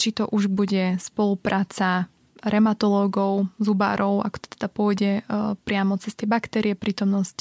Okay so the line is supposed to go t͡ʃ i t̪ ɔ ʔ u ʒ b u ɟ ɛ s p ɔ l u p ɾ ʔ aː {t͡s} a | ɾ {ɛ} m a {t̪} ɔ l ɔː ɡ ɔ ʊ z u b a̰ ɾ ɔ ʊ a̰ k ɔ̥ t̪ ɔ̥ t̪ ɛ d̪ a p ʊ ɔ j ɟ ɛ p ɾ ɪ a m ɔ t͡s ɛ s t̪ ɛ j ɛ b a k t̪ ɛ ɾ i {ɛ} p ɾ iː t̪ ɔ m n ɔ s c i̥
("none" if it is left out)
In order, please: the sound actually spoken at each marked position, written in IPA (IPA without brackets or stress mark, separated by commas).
t͡s, ɛ, t̪, ɛ